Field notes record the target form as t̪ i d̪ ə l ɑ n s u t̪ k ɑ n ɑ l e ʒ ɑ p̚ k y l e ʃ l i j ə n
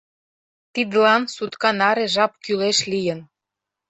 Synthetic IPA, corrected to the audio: t̪ i d̪ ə l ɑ n s u t̪ k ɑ n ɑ ɾ e ʒ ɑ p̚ k y l e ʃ l i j ə n